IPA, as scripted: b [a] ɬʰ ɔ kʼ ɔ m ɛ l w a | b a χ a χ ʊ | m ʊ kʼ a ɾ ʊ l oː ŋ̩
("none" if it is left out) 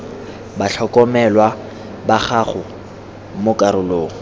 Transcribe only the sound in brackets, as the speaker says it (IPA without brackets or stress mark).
a